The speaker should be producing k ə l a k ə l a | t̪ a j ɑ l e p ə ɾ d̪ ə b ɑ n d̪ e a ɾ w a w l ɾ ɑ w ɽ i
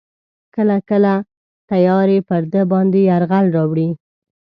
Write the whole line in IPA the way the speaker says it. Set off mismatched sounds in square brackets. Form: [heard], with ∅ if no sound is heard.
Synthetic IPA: k ə l a k ə l a | t̪ a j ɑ [ɾ] e p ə ɾ d̪ ə b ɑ n d̪ e a ɾ [ɣ] a [∅] l ɾ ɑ w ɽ i